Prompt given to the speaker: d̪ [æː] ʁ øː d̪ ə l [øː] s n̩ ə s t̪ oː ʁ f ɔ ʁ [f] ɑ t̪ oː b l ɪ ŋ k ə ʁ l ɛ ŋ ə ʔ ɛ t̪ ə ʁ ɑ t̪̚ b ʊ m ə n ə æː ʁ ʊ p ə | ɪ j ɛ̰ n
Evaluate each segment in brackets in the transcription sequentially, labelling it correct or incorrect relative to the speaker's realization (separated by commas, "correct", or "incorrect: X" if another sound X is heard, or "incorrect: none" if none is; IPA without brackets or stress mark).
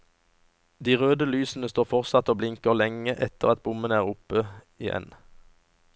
incorrect: iː, incorrect: yː, incorrect: s